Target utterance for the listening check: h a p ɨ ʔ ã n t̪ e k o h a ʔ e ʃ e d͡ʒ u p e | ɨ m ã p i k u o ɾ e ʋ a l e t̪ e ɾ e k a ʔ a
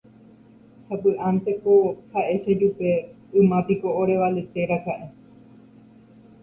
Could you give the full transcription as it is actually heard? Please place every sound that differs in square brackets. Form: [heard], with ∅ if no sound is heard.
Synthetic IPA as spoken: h a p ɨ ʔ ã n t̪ e k o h a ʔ e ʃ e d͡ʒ u p e | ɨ m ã p i k [o] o ɾ e ʋ a l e t̪ e ɾ [a] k a ʔ [e]